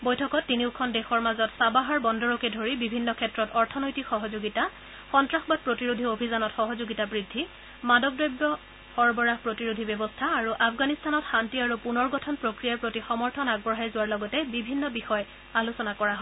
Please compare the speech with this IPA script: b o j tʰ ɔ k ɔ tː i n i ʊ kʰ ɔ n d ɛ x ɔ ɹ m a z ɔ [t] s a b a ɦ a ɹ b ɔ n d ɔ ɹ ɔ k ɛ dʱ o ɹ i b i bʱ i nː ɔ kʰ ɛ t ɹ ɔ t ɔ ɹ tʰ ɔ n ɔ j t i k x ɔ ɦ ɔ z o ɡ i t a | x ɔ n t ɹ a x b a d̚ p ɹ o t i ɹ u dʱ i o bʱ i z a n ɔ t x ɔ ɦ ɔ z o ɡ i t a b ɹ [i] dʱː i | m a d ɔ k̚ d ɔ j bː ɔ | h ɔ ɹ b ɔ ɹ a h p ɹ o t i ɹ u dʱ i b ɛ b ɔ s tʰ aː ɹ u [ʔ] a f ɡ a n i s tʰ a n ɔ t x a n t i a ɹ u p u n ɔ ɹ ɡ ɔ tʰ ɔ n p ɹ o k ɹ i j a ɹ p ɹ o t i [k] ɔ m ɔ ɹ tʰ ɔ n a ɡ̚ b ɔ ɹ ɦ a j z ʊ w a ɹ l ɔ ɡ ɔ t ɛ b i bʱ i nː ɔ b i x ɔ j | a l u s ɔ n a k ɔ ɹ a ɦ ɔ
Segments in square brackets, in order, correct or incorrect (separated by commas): correct, correct, correct, incorrect